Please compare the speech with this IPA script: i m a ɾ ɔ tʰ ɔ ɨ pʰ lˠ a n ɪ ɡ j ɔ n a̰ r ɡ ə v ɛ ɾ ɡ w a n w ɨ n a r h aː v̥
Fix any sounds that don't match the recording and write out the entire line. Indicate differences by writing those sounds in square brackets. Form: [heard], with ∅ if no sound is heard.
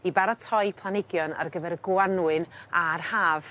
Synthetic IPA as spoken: i [b] a ɾ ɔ tʰ ɔ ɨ pʰ lˠ a n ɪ ɡ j ɔ n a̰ r ɡ ə v ɛ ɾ ɡ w a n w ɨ n a r h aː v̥

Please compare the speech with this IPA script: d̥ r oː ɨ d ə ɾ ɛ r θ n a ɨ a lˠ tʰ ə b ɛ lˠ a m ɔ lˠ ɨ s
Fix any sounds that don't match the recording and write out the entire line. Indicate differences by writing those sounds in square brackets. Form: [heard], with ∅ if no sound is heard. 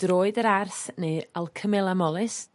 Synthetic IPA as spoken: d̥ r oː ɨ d ə ɾ [a] r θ n [e] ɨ a lˠ [kʰ] ə [m] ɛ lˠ a m ɔ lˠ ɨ s

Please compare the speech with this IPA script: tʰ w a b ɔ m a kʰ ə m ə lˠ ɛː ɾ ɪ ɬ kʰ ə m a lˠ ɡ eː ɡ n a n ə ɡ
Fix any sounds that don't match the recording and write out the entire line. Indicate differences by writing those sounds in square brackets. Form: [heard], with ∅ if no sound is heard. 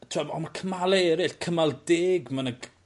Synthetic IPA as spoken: tʰ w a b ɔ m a kʰ ə m [a] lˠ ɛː ɾ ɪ ɬ kʰ ə m a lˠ [d] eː ɡ [m] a n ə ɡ

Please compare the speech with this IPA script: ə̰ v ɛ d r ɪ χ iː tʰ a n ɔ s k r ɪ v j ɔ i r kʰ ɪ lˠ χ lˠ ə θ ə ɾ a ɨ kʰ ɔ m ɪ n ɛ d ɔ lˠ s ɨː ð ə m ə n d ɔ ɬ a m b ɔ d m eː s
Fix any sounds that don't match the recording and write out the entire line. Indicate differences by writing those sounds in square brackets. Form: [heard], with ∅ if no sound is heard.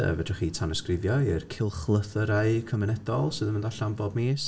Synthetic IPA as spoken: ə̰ v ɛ d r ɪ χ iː tʰ a n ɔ s k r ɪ v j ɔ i r kʰ ɪ lˠ χ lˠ ə θ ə ɾ a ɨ kʰ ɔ m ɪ n ɛ d ɔ lˠ s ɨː ð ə m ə n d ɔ ɬ a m b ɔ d m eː s

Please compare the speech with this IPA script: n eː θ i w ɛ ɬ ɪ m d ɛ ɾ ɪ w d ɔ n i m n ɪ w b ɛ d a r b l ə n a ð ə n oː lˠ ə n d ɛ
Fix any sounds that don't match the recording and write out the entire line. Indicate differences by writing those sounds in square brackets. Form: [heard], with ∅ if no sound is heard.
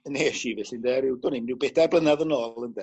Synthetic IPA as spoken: n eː [ʃ] i [v] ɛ ɬ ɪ [n] d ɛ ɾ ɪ w d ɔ n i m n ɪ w b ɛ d a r b l ə n a ð ə n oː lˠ ə n d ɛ

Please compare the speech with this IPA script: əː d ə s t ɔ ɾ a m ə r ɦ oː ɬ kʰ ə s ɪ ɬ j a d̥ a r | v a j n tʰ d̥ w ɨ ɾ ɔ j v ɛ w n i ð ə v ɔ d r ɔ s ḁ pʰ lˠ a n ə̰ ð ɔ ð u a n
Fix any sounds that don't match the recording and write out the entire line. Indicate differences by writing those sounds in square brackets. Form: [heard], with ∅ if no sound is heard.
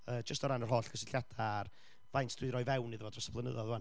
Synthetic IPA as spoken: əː [d͡ʒ] ə s t ɔ ɾ a [n] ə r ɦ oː ɬ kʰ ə s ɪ ɬ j a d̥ a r | v a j n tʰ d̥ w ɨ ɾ ɔ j v ɛ w n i ð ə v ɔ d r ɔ s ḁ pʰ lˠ [ə] n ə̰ ð ɔ ð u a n

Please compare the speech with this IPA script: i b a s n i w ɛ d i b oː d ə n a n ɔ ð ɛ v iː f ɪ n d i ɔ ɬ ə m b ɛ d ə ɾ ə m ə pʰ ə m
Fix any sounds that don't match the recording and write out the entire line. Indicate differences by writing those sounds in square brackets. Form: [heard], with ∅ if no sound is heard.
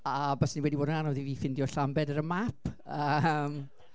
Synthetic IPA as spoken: [a] b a s n i w ɛ d i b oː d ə n a n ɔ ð [i] v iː f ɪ n d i ɔ ɬ [a] m b ɛ d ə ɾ ə m [a] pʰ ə m

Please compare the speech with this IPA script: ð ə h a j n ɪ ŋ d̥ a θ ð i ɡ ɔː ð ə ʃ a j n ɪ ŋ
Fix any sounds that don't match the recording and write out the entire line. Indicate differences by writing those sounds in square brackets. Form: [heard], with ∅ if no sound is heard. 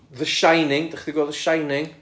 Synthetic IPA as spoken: ð ə [ʃ] a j n ɪ ŋ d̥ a [χ] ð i ɡ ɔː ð ə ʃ a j n ɪ ŋ

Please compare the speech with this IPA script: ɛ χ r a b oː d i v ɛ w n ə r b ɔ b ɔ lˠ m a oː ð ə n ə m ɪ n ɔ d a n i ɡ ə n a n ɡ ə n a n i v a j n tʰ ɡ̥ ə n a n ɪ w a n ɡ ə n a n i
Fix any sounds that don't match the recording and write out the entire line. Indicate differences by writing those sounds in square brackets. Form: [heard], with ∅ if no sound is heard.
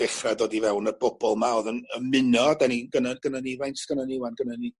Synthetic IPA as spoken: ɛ χ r a [d] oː d i v ɛ w n ə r b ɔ b ɔ lˠ m a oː ð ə n ə m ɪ n ɔ d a n i ɡ ə n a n ɡ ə n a n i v a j n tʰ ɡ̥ ə n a n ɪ w a n ɡ ə n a n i

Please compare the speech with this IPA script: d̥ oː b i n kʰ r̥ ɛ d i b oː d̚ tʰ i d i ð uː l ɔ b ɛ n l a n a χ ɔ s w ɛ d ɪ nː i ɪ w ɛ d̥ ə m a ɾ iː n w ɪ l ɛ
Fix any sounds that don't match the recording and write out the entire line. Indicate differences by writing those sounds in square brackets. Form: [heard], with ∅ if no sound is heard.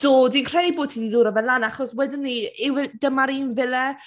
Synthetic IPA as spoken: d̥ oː [d] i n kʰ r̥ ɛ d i b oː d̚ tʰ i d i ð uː [ɾ] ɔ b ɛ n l a n a χ ɔ s w ɛ d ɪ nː i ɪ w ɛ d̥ ə m a ɾ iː n [v] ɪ l ɛ

